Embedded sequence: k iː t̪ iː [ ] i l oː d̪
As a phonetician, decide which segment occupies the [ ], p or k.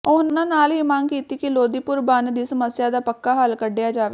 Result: k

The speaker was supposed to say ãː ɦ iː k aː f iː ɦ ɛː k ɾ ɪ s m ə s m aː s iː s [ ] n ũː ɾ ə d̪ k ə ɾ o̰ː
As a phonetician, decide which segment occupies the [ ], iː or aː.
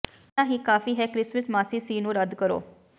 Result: iː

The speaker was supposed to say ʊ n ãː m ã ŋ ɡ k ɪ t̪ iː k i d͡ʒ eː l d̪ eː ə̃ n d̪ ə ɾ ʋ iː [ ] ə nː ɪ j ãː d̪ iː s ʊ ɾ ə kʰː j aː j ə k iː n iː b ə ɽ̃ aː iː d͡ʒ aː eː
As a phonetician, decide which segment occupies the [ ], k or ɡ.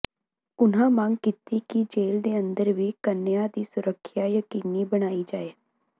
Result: k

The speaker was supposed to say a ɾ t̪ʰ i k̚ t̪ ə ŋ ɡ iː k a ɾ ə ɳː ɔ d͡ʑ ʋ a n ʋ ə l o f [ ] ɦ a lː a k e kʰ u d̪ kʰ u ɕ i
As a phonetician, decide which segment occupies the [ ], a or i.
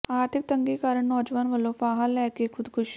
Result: a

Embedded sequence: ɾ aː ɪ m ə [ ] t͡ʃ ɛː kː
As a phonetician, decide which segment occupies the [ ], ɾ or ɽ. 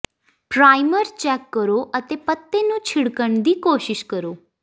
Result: ɾ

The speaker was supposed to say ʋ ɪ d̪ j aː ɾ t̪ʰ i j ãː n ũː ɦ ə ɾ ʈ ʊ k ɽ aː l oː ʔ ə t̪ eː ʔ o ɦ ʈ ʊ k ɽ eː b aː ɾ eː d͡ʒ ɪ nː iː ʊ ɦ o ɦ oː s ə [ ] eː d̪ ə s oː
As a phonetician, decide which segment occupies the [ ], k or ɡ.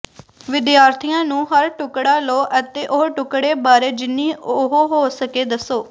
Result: k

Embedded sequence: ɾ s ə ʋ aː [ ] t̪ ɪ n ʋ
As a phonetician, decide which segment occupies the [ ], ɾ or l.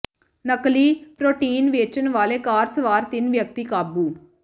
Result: ɾ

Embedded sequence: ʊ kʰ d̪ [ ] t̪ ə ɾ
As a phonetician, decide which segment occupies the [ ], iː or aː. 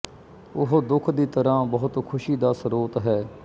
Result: iː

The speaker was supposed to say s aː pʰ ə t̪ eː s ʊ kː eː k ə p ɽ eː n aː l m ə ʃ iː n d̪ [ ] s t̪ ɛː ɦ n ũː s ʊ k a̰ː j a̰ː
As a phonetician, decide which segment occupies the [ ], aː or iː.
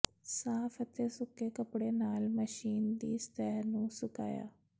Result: iː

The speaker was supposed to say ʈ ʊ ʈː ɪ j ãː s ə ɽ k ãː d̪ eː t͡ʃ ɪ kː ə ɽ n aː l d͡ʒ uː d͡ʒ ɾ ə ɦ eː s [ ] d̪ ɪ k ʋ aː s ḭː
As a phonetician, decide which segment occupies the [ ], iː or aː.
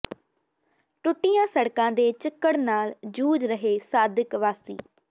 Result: aː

